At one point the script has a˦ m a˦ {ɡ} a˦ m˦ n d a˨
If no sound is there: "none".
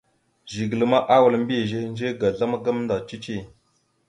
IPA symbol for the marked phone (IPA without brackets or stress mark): ɡ